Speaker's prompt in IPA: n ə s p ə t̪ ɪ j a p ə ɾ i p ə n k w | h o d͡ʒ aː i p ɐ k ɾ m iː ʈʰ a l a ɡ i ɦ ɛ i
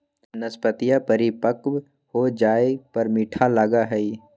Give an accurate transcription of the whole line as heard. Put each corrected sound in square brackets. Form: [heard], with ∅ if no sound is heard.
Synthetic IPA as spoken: n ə s p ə t̪ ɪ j a p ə ɾ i p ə [∅] k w | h o d͡ʒ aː [e] p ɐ [∅] ɾ m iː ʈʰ a l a ɡ [a] ɦ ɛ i